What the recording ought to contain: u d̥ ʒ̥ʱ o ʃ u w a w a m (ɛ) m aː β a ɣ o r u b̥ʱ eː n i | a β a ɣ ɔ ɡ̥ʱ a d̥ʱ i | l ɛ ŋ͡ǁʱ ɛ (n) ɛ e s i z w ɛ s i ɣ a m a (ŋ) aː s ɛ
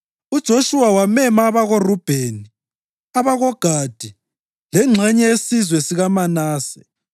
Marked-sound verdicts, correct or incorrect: correct, incorrect, incorrect

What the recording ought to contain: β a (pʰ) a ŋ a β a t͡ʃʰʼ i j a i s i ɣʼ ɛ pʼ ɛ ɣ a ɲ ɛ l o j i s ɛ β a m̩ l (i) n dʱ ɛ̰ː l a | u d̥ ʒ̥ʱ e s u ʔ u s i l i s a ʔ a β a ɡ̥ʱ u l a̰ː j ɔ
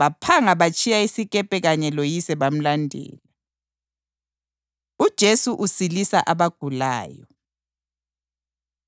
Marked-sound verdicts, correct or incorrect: correct, incorrect

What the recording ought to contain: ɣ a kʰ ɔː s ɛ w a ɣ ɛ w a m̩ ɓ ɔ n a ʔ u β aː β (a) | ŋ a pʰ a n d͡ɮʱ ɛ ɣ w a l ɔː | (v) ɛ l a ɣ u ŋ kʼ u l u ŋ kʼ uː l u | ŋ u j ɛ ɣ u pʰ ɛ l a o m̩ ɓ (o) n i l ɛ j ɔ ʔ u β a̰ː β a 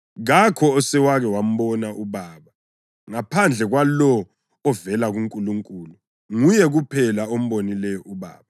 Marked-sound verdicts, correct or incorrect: correct, correct, correct

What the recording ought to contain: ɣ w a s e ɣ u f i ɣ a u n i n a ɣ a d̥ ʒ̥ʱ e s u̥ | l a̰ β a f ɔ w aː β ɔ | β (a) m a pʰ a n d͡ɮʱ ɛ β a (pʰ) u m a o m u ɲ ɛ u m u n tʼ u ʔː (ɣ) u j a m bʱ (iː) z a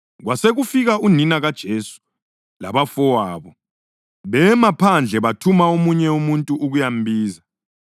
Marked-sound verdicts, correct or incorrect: incorrect, incorrect, correct, correct

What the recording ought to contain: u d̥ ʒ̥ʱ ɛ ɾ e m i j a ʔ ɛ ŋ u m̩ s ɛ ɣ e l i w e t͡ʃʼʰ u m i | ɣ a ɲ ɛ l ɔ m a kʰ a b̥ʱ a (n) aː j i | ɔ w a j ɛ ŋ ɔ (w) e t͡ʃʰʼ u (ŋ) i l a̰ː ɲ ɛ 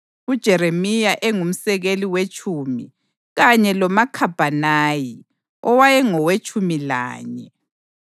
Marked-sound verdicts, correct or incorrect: correct, correct, incorrect

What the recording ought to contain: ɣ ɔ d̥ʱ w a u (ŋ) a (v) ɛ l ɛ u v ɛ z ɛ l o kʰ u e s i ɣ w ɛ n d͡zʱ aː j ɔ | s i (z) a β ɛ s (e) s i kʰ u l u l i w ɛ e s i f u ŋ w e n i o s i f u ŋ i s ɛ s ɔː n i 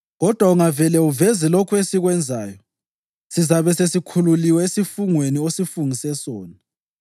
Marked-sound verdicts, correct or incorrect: correct, correct, correct, correct

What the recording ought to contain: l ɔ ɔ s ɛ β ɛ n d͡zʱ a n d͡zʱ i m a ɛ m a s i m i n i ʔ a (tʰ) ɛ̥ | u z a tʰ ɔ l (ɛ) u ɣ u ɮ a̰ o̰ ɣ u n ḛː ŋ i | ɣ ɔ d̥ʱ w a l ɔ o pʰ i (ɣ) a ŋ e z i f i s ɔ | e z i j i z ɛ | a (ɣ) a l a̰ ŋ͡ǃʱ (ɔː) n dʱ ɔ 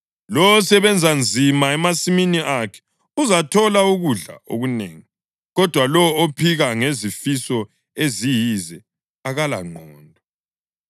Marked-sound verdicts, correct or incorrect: incorrect, incorrect, correct, correct, correct

